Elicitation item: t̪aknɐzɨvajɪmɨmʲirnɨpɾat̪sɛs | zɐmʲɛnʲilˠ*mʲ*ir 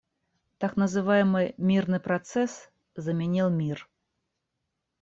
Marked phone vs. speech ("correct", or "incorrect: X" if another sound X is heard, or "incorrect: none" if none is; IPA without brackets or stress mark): correct